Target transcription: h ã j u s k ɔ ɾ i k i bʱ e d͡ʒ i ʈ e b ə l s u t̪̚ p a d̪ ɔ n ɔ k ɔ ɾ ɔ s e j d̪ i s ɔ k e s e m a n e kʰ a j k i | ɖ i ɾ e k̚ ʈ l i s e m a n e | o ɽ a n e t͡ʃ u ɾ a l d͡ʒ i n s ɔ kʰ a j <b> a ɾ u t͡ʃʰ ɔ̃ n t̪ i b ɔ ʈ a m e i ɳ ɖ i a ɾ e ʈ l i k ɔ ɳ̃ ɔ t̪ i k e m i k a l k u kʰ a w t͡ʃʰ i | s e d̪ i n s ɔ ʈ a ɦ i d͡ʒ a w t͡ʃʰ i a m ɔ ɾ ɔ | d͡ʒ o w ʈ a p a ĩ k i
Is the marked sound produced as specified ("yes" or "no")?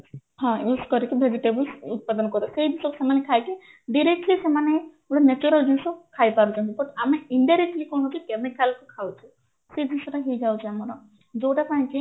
no